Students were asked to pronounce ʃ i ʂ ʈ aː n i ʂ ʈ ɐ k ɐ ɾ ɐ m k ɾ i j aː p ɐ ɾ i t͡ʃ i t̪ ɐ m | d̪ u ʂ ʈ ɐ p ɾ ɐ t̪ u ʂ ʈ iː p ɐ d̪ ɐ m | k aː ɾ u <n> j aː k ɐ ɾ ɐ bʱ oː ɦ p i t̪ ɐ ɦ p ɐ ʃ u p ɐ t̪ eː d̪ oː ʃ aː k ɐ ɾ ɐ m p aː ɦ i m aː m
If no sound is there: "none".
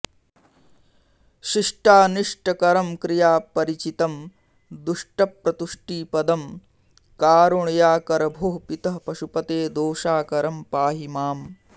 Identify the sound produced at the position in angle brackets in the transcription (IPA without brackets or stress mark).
ɳ